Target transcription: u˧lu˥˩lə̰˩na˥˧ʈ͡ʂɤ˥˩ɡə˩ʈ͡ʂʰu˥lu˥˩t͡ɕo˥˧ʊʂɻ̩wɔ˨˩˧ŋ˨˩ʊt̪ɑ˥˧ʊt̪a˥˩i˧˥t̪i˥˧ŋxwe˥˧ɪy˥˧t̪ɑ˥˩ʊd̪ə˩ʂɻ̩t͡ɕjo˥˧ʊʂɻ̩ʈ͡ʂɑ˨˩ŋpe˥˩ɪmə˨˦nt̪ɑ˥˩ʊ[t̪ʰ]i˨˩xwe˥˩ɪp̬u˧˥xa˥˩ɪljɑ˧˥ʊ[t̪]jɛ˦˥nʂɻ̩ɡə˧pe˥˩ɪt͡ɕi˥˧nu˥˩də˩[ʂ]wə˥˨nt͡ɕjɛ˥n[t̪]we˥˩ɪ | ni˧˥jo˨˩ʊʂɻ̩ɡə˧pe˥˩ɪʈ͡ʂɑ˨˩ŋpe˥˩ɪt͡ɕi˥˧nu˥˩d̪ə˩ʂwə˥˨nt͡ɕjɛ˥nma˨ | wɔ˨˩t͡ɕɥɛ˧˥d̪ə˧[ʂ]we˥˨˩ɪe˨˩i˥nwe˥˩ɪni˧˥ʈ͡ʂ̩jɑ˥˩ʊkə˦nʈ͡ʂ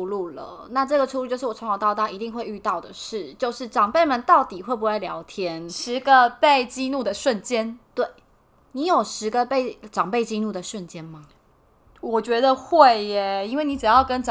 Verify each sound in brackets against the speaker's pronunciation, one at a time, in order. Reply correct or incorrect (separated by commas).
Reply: incorrect, incorrect, correct, correct, incorrect